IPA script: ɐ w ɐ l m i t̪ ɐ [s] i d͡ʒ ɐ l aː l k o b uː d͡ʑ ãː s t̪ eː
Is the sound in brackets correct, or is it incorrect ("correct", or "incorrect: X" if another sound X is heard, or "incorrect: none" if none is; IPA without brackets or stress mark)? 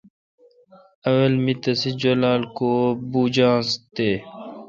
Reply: correct